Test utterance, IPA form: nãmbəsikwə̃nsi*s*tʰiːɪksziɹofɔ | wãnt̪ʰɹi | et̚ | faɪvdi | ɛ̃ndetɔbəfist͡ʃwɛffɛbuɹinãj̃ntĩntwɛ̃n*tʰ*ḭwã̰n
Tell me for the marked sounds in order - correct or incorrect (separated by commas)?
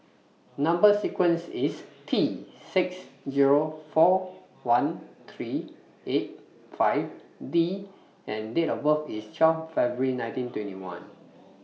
correct, incorrect